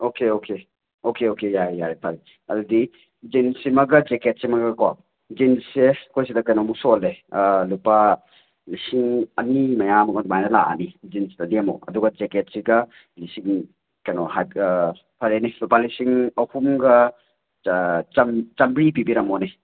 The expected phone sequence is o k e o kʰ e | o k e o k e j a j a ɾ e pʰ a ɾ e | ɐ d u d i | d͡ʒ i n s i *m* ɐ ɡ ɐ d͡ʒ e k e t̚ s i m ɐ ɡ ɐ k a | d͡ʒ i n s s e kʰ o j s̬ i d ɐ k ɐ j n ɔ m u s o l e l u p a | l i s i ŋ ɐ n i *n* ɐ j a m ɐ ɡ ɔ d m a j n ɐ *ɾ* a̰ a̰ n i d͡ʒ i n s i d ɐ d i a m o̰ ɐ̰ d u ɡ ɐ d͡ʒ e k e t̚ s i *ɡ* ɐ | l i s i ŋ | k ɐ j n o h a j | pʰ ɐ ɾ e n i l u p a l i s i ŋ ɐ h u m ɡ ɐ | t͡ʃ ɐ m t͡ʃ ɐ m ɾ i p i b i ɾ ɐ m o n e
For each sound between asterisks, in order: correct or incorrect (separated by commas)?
correct, incorrect, incorrect, correct